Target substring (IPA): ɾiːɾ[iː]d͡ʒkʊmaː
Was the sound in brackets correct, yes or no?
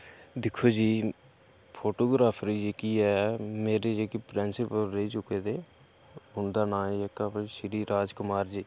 no